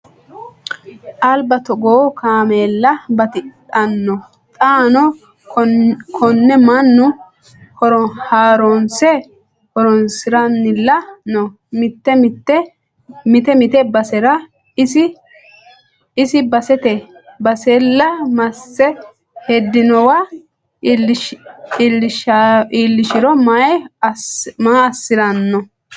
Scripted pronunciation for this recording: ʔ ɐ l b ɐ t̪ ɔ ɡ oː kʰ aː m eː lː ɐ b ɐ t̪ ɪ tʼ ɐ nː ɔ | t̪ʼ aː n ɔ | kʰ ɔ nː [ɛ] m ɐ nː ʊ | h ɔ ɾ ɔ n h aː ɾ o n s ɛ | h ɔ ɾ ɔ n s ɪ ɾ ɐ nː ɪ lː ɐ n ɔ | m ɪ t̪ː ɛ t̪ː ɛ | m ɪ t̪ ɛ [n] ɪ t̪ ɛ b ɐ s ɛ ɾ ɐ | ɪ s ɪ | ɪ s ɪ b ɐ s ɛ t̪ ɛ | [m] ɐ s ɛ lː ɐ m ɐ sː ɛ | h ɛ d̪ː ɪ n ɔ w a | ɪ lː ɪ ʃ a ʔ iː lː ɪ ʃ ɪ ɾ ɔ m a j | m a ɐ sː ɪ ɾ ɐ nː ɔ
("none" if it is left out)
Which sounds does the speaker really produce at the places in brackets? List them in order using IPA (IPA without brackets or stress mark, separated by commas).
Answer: ɛ, m, b